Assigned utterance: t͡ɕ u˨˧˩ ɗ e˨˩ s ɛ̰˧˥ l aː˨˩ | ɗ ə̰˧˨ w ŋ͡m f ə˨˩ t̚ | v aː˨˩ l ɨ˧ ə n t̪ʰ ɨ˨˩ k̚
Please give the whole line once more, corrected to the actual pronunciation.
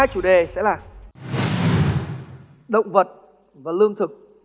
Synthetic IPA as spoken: t͡ɕ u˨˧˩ ɗ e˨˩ s ɛ̰˧˥ l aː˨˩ | ɗ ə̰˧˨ w ŋ͡m v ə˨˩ t̚ | v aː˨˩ l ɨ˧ ə ŋ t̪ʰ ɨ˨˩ k̚